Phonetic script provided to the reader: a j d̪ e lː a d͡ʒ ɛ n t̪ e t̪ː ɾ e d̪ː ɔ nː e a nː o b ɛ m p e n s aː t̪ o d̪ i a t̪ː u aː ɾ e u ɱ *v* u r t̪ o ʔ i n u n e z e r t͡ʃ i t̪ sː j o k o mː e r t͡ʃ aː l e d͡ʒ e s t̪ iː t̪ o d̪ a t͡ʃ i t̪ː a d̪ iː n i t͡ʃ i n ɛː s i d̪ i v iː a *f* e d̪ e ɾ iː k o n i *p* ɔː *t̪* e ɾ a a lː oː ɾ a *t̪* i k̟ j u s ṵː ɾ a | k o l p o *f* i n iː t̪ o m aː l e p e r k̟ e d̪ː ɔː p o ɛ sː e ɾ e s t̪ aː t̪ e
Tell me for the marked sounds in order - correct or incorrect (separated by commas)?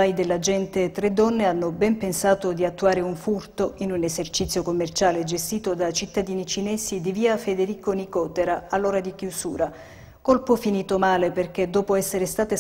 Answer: incorrect, correct, incorrect, correct, incorrect, correct